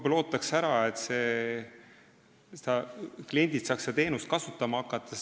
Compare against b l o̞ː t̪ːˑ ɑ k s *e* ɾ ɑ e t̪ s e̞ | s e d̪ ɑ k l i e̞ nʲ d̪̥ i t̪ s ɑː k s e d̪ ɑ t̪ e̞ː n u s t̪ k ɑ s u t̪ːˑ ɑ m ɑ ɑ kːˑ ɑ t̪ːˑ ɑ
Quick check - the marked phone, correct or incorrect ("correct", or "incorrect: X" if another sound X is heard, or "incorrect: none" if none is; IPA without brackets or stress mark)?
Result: incorrect: æ